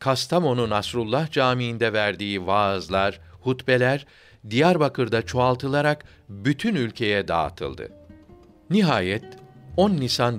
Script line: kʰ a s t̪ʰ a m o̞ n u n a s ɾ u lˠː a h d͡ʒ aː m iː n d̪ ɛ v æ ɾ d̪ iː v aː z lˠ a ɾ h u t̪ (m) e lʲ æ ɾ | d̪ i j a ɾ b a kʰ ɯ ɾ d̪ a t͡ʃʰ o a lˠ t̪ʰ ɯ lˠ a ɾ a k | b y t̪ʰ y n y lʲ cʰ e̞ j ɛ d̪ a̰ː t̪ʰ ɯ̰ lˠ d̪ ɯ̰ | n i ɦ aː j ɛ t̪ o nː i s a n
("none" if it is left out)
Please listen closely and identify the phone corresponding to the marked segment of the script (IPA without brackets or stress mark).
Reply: b